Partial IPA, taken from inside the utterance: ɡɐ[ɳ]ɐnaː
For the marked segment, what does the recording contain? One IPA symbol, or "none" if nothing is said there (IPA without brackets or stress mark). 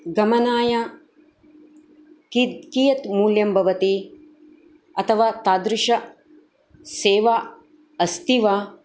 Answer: m